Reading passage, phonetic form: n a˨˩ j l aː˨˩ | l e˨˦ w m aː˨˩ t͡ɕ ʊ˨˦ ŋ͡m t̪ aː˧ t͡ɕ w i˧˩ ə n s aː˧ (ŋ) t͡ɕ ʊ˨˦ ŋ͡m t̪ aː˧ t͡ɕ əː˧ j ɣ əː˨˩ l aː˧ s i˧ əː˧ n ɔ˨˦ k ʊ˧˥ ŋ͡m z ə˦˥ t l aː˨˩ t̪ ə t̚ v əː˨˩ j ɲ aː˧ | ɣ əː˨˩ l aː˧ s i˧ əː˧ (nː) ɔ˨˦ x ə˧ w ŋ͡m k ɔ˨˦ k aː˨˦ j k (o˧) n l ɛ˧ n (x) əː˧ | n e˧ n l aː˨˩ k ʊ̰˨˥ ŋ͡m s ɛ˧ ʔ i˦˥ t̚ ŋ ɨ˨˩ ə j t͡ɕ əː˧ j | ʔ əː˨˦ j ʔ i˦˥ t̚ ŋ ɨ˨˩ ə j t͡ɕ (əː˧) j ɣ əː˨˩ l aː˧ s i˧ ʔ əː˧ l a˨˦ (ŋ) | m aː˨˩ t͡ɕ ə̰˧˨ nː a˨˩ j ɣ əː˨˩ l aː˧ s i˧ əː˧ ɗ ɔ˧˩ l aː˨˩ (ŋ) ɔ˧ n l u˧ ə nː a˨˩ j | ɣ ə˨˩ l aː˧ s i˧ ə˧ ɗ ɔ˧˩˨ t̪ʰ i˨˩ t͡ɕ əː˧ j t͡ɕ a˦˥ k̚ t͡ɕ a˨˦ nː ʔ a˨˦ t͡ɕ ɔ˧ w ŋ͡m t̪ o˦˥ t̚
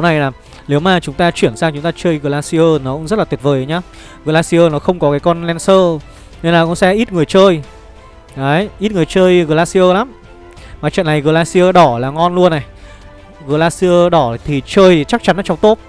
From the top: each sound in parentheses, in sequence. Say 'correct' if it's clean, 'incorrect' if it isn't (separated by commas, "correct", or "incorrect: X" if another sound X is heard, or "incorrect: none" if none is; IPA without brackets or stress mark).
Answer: correct, incorrect: n, incorrect: ɔ˧, incorrect: s, correct, incorrect: m, correct